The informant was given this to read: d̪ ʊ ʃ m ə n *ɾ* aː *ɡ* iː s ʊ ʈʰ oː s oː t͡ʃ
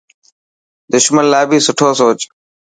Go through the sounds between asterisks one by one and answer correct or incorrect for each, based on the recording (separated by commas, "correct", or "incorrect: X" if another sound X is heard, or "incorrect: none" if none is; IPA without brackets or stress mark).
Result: incorrect: l, incorrect: b